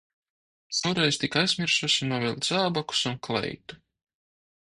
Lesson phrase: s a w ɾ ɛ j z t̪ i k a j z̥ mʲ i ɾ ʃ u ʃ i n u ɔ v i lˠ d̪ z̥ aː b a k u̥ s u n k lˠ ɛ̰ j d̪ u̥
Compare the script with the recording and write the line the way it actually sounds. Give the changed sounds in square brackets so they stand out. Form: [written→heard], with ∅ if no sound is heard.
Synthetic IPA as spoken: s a w ɾ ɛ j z t̪ i k a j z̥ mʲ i ɾ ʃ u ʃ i n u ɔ v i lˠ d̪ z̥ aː b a k u̥ s u n k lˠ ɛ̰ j [d̪→t̪] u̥